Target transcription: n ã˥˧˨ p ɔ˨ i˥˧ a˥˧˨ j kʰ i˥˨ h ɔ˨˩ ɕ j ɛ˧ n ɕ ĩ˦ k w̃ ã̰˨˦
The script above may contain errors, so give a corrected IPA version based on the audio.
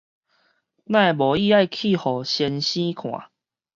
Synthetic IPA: n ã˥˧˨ b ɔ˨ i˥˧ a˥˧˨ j kʰ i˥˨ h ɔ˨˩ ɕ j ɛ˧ n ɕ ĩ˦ kʰ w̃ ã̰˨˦